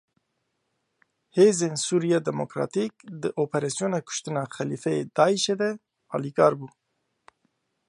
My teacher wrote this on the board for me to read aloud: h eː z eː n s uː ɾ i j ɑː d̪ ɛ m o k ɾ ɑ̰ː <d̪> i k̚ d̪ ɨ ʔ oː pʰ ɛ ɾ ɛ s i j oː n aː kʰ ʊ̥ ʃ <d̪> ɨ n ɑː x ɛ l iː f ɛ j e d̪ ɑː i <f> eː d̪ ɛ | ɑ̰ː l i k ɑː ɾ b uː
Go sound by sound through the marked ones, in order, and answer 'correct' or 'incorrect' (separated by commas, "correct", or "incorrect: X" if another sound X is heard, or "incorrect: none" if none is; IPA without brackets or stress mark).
incorrect: t̪, incorrect: t̪, incorrect: ʃ